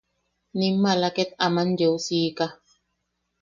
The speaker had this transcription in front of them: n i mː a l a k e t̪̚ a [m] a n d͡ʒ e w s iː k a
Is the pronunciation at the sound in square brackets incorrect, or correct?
correct